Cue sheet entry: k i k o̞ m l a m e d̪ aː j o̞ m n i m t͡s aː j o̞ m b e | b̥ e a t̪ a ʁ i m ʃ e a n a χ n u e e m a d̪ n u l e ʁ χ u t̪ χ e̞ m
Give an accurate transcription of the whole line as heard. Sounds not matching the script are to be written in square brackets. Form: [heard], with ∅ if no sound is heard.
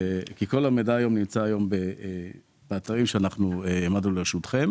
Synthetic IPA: k i k o̞ [∅] l a m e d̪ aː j o̞ m n i m t͡s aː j o̞ m b e | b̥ e a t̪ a ʁ i m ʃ e a n a χ n u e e m a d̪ n u l e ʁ [ʃ] u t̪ χ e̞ m

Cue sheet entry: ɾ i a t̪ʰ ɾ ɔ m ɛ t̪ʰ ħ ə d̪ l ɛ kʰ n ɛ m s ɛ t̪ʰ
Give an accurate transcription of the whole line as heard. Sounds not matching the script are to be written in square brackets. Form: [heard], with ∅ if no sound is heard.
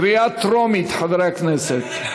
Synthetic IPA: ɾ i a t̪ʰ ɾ ɔ m [i] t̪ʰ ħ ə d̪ [ɾ] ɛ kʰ n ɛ [∅] s ɛ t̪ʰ

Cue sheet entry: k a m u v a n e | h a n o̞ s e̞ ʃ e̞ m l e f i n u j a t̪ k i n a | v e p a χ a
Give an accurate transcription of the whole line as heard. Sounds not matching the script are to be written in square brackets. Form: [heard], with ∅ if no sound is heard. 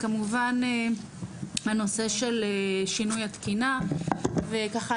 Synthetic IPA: k a m u v a n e | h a n o̞ s e̞ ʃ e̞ [∅] l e [ʃ] i n u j a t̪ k i n a | v e [k] a χ a

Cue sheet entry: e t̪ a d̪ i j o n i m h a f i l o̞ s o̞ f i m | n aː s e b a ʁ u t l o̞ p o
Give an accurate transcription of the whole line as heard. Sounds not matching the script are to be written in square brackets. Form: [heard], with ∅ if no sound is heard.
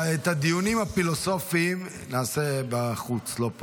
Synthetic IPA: e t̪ a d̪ i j [u] n i m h a f i l o̞ s o̞ f i m | n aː s e b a [χ] u [t͡s] l o̞ p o

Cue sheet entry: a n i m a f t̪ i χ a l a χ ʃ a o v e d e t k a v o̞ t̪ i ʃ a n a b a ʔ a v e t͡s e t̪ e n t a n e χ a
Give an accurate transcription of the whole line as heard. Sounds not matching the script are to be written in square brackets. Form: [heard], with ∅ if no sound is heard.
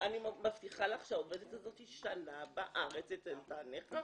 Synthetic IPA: a n i m a f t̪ i χ a l a χ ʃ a o v e d e t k a [z] o̞ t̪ i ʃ a n a b a ʔ a [ʁ] e t͡s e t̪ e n t a n e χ a

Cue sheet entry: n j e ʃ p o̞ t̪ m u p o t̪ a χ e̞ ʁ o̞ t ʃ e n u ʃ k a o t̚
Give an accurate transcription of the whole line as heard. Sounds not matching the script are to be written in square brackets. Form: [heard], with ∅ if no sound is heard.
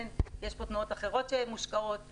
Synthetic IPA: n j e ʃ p o̞ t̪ [n] u [∅] o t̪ a χ e̞ ʁ o̞ t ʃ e [m] u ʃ k a o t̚

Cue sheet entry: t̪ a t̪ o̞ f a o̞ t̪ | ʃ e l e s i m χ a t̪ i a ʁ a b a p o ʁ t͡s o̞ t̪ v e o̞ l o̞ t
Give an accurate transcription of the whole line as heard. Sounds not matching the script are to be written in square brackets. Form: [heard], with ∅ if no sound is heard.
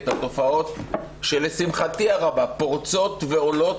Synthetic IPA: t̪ a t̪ o̞ f a o̞ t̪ | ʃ e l e s i m χ a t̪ i a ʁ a b a p o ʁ t͡s o̞ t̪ v e o̞ l o̞ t

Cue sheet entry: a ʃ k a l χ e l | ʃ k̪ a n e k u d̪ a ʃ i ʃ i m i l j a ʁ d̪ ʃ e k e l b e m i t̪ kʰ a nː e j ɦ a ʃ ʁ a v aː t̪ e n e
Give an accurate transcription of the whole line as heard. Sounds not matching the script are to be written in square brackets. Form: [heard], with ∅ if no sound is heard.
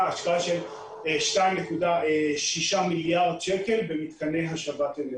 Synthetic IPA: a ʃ k a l [ʃ] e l | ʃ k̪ a n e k u d̪ a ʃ i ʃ [a] m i l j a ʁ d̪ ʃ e k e l b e m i t̪ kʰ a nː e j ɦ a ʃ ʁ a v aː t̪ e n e

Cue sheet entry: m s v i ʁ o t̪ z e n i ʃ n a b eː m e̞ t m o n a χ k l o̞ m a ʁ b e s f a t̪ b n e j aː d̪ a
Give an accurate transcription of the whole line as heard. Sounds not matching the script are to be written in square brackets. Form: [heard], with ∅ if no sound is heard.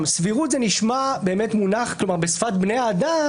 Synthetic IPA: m s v i ʁ [u] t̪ z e n i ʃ [m] a b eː m e̞ t m [u] n a χ k l o̞ m a ʁ b e s f a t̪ b n e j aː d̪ a

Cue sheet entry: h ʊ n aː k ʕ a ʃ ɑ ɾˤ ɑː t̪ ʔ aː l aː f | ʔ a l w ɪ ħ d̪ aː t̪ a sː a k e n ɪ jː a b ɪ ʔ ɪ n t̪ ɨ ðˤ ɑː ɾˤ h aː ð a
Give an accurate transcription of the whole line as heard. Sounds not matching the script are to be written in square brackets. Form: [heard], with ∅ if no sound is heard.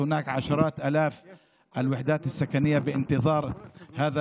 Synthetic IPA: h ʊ n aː k ʕ a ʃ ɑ ɾˤ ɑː t̪ ʔ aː l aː f | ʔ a l w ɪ ħ d̪ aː t̪ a sː a k [a] n ɪ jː a b ɪ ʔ ɪ n t̪ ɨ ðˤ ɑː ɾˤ h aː ð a

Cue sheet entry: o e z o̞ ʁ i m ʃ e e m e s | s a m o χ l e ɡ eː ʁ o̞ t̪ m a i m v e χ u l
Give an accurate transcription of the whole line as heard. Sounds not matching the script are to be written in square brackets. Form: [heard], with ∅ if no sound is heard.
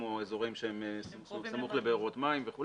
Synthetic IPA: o e z o̞ ʁ i m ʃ e e m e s | s a m [u] χ l e [b] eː ʁ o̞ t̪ m a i m v e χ u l

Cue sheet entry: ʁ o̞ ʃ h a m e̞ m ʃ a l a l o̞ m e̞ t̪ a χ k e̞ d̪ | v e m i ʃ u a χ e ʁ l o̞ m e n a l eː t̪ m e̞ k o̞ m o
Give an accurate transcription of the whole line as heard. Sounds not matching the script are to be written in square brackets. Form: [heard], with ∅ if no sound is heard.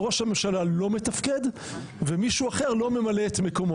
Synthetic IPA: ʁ o̞ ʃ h a m e̞ m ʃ a l a l o̞ m e̞ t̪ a [f] k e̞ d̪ | v e m i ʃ u a χ e ʁ l o̞ m e [m] a l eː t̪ m e̞ k o̞ m o

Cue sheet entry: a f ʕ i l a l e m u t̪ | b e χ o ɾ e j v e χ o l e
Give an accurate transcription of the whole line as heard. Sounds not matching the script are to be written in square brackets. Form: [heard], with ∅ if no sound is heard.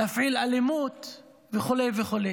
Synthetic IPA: a f ʕ i l a l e m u t̪ | [v] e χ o [l] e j v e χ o l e

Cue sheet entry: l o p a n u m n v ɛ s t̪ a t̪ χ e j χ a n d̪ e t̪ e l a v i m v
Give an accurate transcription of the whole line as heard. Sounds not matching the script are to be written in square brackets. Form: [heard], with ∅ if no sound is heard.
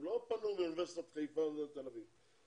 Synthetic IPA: l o p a n u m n v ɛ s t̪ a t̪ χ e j [f] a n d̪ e t̪ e l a v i [∅] v

